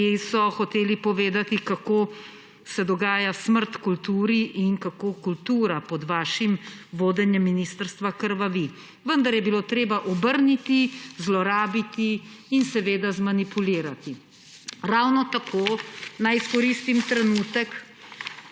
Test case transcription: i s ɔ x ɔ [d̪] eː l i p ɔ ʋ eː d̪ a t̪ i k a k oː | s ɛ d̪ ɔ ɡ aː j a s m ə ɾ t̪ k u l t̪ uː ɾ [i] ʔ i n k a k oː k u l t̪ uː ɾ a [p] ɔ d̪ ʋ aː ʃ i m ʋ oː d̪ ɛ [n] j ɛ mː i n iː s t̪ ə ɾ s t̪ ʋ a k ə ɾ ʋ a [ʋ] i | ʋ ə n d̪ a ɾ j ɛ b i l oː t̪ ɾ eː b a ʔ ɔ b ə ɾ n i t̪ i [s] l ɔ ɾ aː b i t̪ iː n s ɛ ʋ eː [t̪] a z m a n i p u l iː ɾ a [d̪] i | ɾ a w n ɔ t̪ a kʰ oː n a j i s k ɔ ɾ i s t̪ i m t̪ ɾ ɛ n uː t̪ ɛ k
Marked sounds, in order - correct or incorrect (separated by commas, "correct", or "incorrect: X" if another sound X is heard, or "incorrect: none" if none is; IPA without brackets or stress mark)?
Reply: incorrect: t̪, correct, correct, correct, correct, incorrect: z, incorrect: d̪, incorrect: t̪